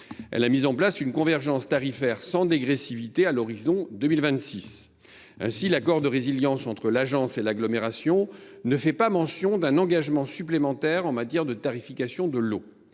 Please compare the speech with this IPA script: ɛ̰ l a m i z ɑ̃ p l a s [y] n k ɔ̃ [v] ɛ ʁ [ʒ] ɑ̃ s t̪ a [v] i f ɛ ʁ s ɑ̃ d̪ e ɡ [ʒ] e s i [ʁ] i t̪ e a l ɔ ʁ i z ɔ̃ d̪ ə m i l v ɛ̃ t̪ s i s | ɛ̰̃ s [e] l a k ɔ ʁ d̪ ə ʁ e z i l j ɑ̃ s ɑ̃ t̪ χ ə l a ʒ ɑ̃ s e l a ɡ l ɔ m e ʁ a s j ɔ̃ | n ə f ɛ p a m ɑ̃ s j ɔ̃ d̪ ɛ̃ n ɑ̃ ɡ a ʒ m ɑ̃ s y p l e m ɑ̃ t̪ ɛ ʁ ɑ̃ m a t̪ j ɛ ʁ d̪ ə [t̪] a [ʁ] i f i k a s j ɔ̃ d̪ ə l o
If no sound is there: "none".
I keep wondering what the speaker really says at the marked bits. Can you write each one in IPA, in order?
y, v, ʒ, ʁ, ʁ, v, i, t̪, ʁ

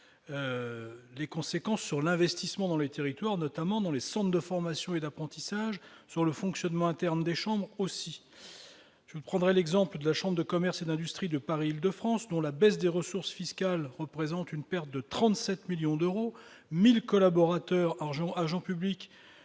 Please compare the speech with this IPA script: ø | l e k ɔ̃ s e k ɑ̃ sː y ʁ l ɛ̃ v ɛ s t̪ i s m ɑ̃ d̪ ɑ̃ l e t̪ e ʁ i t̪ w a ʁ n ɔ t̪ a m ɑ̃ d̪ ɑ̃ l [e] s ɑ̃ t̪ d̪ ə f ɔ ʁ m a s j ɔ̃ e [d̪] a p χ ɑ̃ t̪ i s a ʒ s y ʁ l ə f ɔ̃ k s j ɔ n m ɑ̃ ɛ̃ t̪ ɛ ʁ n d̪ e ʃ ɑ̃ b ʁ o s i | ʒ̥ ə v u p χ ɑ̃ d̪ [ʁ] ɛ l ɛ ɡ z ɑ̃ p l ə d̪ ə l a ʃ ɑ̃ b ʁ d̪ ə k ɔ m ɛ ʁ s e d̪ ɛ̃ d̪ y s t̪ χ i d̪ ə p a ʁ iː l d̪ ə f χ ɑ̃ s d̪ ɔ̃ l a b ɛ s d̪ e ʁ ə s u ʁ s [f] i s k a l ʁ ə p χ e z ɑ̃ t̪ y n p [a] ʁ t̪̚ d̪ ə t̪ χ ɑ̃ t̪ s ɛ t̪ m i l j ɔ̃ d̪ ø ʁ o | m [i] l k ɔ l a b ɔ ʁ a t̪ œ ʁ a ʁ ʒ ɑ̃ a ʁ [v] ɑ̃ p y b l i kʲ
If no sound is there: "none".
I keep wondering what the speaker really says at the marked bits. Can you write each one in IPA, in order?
e, d̪, ʁ, f, ɛ, i, ʒ

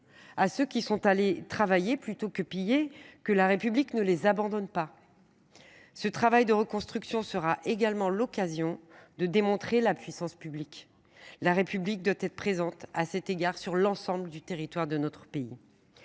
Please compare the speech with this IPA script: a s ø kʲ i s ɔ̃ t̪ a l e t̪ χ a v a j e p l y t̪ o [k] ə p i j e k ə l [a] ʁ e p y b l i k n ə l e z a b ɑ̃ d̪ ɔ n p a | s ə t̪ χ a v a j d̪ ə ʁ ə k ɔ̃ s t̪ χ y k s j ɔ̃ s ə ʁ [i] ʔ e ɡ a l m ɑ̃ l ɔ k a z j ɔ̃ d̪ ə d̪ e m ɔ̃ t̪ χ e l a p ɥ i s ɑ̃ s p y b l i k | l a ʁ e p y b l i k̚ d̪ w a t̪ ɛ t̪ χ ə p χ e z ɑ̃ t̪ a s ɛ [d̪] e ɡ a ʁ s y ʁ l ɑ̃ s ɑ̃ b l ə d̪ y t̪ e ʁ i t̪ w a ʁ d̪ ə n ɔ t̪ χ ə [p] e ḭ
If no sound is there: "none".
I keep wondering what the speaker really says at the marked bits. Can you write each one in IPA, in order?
k, a, a, t̪, p

